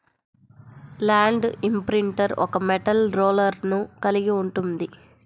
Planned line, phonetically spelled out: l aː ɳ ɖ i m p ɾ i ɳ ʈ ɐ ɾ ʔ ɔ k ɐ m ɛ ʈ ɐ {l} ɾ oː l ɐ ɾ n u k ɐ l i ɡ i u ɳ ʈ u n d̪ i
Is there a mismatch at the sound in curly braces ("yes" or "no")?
no